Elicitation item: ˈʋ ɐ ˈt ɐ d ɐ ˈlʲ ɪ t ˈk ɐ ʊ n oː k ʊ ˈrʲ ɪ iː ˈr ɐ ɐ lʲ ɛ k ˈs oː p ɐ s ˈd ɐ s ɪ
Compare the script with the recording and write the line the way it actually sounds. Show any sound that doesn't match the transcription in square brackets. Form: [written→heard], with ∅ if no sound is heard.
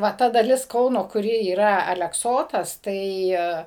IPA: ˈʋ ɐ ˈt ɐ d ɐ ˈlʲ ɪ [t→s] ˈk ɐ ʊ n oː k ʊ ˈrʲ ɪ iː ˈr ɐ ɐ lʲ ɛ k ˈs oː [p→t] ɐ s [ˈd→ˈt] ɐ [s→∅] ɪ